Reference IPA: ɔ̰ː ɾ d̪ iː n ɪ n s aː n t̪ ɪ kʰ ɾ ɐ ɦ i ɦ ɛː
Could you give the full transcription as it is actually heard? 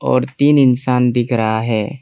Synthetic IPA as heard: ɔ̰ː ɾ t̪ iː n ɪ n s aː n d̪ ɪ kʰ ɾ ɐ ɦ a ɦ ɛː